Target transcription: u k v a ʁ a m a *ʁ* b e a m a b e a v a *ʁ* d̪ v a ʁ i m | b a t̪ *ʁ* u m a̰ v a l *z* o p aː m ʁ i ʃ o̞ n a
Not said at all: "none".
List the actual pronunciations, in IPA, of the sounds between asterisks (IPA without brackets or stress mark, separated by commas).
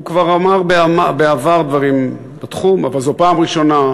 ʁ, ʁ, χ, z